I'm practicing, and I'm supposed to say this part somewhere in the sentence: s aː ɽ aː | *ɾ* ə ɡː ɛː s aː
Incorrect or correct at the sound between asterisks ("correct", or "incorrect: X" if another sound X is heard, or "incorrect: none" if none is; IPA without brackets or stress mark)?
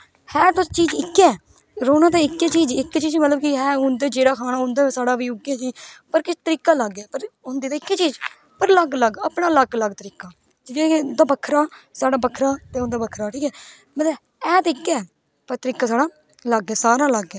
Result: incorrect: l